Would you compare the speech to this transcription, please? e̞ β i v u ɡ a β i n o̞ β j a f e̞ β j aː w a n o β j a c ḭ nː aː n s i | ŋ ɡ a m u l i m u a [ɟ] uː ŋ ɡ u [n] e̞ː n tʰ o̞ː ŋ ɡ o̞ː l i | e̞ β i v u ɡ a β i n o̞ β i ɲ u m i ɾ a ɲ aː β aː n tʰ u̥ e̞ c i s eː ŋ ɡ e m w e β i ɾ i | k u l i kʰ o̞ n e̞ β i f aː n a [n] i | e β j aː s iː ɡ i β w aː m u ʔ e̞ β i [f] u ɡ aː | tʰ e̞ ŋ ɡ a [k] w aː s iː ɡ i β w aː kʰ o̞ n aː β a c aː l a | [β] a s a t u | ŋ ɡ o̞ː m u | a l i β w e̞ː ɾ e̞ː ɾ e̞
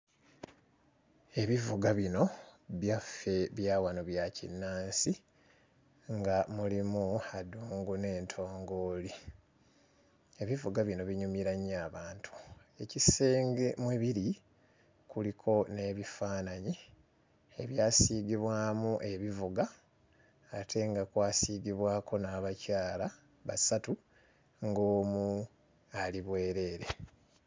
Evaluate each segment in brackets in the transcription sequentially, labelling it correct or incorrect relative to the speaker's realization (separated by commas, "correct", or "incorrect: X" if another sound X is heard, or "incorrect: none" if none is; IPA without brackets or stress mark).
incorrect: d, correct, incorrect: ɲ, incorrect: v, correct, correct